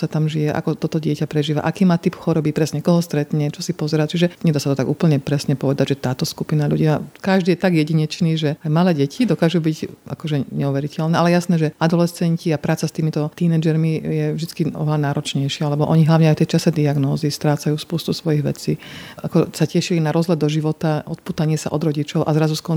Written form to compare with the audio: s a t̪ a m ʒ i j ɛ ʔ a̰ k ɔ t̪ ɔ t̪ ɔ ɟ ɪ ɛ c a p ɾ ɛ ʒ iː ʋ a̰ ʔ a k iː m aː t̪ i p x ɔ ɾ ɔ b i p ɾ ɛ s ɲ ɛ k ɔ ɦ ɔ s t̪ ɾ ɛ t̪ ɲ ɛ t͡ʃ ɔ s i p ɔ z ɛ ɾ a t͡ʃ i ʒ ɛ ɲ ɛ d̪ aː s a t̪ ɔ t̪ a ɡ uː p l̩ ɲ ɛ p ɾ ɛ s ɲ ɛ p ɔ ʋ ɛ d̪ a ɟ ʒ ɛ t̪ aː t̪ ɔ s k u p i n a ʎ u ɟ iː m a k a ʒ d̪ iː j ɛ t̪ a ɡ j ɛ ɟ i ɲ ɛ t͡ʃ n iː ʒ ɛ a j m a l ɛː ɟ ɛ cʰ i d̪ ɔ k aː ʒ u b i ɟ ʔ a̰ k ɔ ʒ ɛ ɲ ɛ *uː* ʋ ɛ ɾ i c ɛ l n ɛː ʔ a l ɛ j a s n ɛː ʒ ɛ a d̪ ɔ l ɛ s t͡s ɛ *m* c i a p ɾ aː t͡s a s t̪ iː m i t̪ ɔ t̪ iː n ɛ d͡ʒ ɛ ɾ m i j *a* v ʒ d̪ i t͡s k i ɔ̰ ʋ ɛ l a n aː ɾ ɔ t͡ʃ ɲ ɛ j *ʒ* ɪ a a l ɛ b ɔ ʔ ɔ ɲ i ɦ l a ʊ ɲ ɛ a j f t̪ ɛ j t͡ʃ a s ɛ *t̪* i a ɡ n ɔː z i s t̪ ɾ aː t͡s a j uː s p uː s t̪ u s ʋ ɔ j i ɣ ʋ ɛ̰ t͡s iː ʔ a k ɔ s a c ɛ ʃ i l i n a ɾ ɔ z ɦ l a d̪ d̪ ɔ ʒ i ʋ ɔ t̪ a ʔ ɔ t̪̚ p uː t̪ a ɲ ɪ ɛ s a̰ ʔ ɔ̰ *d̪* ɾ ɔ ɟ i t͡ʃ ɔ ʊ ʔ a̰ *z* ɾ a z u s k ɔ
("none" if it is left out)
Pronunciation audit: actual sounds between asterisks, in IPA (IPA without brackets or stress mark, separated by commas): u, ɲ, ɛ, ʃ, d̪, d̪, z